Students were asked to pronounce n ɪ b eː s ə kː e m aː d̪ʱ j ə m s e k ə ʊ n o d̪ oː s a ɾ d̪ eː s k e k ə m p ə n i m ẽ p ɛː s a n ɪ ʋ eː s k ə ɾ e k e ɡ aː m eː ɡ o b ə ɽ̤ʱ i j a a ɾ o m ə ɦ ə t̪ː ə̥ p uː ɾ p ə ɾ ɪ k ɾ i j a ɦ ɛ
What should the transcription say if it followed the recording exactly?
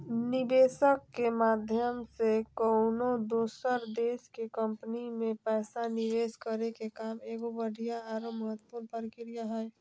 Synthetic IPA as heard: n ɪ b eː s ə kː e m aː d̪ʱ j ə m s e k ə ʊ n o d̪ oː s ə ɾ d̪ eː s k e k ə m p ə n i m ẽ p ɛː s a n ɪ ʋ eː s k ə ɾ e k e k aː m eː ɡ o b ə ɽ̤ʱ i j a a ɾ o m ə ɦ ə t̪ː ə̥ p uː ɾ p ə ɾ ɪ k ɾ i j a ɦ ɛ